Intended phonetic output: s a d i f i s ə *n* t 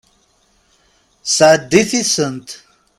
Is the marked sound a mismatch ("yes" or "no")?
no